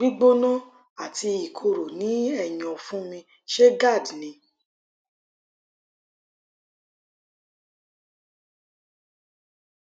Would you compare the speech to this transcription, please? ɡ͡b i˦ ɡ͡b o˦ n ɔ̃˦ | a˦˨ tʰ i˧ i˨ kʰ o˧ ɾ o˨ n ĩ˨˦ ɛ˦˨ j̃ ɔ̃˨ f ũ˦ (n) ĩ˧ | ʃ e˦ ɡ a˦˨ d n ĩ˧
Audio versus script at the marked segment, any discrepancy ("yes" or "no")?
yes